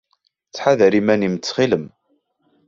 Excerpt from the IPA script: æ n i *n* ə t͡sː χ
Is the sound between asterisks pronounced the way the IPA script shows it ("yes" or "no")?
no